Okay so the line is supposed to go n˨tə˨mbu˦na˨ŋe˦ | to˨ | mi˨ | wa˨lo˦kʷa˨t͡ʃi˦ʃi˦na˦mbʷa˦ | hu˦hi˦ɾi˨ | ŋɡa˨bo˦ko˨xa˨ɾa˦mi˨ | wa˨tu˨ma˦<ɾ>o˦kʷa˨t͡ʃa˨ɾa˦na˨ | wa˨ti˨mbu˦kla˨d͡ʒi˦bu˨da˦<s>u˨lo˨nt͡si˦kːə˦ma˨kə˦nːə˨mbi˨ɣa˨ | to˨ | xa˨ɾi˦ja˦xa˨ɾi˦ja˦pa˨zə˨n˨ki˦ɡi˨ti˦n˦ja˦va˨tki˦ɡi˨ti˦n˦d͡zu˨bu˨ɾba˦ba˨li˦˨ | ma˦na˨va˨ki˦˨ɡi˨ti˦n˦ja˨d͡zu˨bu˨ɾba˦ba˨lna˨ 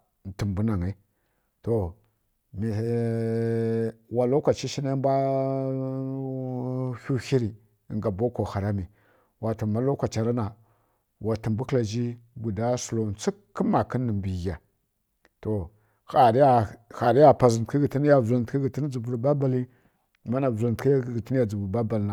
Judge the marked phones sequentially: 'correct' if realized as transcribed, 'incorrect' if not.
incorrect: l, correct

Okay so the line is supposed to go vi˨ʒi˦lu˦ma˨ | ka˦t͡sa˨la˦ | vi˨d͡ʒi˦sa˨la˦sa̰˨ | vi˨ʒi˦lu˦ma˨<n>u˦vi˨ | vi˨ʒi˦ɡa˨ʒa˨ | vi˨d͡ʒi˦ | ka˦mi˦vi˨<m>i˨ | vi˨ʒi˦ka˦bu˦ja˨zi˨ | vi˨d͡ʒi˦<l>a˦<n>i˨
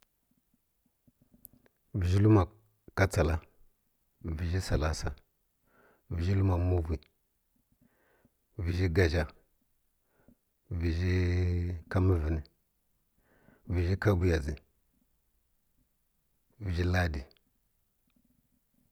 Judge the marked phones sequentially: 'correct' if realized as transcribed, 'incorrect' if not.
incorrect: m, incorrect: n, correct, incorrect: d

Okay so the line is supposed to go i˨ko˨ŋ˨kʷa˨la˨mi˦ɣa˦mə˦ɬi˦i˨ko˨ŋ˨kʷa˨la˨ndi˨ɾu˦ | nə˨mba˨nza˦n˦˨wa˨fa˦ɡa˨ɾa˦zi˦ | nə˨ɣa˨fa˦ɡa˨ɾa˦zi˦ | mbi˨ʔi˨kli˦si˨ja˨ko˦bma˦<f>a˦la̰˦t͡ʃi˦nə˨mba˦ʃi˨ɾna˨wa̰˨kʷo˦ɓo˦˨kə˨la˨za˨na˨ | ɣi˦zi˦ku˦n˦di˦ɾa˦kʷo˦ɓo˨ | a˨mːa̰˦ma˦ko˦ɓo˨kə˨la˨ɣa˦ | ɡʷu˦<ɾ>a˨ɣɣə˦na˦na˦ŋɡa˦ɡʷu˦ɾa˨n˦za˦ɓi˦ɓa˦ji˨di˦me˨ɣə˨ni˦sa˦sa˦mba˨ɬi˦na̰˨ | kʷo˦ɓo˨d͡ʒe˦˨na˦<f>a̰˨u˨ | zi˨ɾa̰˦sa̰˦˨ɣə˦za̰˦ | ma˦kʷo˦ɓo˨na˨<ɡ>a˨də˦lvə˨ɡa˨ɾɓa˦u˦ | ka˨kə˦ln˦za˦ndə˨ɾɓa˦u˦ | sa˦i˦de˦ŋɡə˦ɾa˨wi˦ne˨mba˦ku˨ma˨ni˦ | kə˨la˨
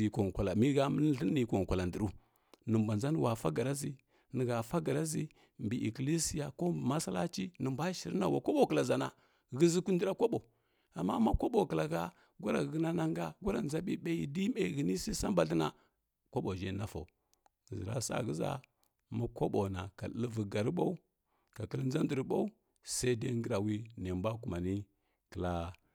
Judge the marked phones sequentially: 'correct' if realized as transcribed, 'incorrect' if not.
incorrect: s, correct, correct, incorrect: k

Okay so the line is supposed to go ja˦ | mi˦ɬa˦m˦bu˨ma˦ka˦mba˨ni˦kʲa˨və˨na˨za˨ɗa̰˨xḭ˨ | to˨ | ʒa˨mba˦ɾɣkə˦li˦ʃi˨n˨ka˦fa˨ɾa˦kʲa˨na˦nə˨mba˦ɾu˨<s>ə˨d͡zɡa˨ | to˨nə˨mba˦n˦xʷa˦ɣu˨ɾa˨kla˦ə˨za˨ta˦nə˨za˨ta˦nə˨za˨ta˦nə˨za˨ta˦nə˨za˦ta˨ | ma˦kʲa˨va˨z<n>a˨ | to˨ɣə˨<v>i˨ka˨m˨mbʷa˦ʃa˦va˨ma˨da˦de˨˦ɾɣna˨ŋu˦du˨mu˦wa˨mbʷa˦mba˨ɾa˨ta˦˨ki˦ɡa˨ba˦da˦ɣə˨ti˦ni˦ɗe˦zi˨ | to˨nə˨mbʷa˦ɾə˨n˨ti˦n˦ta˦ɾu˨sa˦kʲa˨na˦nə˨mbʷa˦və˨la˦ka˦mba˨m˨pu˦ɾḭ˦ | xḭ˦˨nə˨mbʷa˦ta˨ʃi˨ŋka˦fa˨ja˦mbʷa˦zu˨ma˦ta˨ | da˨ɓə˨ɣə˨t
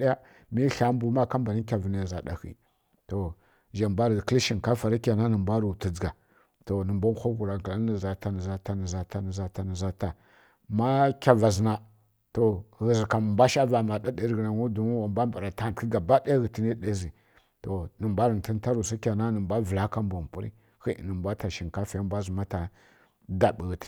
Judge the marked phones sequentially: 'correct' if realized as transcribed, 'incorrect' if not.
incorrect: t, correct, incorrect: z

